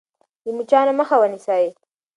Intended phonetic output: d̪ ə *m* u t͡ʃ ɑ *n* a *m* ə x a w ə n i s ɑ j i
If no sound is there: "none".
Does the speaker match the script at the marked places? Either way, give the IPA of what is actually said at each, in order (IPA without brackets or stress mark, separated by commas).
m, n, m